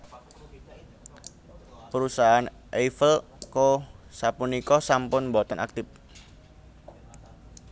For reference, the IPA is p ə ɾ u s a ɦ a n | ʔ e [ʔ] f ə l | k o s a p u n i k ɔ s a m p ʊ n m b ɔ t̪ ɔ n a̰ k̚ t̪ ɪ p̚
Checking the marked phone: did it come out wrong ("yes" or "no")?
yes